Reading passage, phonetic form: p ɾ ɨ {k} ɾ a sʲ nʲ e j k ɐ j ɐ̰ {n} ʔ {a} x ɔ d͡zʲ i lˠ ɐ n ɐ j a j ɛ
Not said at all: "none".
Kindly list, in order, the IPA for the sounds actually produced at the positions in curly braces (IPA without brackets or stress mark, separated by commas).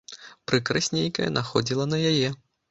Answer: k, n, a